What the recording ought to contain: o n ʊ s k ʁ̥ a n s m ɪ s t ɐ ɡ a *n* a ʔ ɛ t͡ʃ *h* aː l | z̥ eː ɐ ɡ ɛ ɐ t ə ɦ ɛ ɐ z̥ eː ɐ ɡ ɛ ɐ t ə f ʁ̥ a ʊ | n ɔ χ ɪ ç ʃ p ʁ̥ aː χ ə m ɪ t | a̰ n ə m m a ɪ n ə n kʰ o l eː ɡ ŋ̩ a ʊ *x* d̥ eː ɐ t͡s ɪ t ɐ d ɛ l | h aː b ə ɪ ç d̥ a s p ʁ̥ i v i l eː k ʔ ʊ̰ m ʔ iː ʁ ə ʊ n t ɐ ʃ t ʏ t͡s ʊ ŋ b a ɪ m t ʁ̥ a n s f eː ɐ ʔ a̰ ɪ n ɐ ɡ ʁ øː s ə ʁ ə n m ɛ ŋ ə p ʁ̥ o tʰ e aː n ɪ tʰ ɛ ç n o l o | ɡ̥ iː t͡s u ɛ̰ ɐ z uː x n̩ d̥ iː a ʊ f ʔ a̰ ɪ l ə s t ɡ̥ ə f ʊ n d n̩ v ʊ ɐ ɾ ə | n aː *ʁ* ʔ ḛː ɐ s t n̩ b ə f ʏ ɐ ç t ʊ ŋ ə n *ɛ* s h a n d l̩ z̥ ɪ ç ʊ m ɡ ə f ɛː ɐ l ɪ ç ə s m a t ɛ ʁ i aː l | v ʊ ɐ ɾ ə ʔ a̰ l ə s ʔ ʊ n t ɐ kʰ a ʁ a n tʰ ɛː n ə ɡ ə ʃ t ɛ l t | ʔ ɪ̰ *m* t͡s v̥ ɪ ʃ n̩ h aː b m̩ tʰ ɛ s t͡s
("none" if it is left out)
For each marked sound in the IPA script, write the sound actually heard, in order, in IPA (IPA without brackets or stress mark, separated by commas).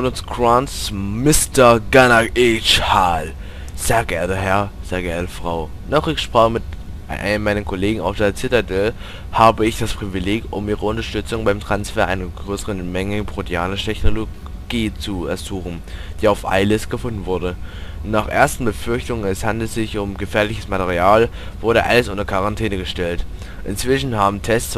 n, h, f, χ, ɛ, n